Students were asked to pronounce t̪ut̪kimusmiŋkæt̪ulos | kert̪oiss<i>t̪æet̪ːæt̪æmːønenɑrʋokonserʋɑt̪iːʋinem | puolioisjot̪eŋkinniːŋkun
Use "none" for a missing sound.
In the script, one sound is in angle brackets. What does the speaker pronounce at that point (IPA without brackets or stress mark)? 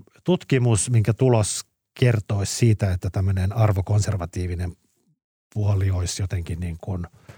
iː